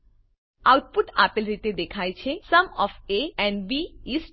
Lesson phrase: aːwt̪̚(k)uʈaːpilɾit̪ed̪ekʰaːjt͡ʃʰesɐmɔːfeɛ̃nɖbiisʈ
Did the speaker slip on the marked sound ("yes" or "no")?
yes